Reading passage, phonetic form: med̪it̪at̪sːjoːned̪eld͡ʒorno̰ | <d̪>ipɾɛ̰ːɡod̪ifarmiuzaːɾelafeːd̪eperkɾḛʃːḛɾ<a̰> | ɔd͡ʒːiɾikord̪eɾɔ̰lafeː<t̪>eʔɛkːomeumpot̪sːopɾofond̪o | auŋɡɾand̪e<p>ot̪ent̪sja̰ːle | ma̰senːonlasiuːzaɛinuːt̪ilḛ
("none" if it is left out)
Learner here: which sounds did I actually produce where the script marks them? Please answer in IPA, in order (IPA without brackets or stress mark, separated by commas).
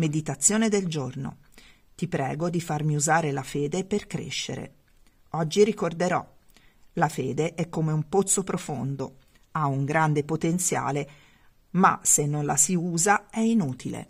t̪, ḛ, d̪, p